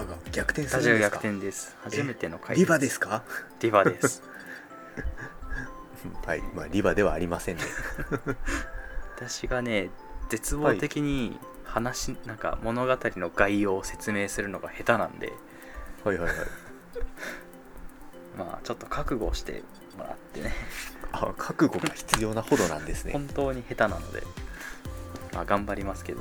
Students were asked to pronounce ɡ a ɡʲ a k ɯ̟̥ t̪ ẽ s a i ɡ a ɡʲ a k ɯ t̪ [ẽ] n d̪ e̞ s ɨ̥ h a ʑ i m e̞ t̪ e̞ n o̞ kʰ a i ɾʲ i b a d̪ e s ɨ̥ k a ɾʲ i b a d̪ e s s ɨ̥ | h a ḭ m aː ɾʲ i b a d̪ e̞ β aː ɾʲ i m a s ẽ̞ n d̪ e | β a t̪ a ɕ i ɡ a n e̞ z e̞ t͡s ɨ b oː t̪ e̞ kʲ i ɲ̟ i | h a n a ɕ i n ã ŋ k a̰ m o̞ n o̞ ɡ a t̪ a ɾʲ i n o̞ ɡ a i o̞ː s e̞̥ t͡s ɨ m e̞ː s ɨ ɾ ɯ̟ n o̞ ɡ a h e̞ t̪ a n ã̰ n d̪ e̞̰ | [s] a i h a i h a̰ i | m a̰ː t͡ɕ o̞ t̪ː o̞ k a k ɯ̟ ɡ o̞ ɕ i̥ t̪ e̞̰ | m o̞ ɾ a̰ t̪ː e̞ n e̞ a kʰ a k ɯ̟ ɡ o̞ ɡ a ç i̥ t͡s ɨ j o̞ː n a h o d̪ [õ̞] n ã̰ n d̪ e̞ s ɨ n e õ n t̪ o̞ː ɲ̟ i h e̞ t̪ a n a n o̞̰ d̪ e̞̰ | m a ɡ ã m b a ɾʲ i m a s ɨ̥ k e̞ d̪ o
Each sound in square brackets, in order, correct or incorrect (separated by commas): correct, incorrect, incorrect